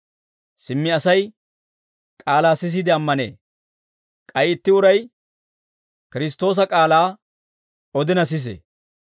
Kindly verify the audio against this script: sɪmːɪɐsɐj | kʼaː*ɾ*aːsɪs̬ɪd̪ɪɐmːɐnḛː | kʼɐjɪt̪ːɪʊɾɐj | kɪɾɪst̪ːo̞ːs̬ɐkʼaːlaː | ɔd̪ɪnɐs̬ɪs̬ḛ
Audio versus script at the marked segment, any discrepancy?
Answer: yes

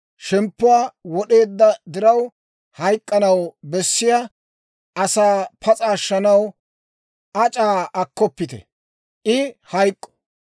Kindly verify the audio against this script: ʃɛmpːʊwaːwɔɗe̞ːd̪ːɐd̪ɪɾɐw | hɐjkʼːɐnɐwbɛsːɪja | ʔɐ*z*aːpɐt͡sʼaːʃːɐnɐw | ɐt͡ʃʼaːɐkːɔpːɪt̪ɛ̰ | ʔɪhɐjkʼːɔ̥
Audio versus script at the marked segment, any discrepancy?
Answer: yes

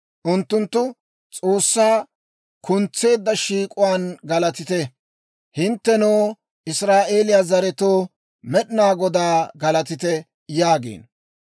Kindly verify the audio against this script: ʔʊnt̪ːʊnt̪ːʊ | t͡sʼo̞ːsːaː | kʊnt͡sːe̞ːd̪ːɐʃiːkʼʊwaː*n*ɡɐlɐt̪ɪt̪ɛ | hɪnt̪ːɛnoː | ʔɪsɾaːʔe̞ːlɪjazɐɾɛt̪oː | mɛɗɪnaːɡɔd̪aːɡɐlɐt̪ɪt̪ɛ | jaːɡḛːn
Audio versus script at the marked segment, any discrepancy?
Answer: no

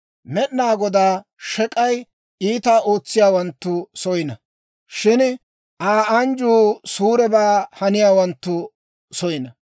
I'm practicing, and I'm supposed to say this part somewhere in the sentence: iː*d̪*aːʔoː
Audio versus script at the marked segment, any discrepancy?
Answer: yes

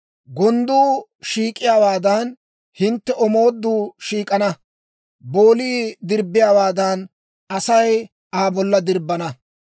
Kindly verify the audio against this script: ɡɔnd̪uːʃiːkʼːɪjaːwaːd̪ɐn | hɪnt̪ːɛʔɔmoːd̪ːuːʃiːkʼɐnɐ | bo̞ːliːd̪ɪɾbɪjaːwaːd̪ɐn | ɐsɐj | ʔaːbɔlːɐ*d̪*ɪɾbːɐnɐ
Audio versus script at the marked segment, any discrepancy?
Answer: no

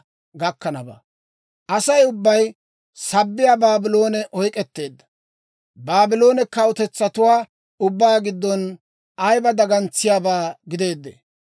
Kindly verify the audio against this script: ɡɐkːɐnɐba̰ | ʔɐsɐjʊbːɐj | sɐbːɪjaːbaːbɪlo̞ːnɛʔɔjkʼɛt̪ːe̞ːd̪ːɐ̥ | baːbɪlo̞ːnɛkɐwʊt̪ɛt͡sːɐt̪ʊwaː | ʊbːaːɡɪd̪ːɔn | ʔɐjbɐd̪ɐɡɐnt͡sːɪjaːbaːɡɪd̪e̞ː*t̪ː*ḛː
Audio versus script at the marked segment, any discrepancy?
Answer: yes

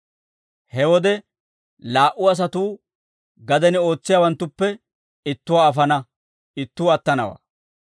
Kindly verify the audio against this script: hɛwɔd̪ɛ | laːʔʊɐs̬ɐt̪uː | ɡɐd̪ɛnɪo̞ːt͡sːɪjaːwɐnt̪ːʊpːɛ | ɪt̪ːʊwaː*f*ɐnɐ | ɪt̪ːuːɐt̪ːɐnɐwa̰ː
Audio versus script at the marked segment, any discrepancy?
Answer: no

